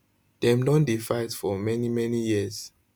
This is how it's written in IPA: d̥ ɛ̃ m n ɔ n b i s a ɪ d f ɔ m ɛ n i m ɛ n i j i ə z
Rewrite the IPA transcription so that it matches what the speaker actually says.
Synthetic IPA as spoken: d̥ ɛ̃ m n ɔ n d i f a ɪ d f ɔ m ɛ n i m ɛ n i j i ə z